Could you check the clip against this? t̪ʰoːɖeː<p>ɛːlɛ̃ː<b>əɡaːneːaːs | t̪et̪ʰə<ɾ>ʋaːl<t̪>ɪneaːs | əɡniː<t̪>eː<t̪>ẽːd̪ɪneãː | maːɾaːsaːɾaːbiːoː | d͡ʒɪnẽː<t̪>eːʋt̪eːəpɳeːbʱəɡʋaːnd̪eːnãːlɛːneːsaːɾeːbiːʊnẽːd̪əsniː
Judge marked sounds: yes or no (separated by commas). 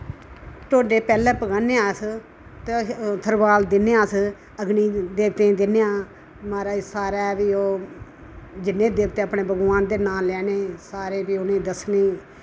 yes, no, yes, no, no, yes, no